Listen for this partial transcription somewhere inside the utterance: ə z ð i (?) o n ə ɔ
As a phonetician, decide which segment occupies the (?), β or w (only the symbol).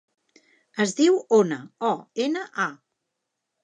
w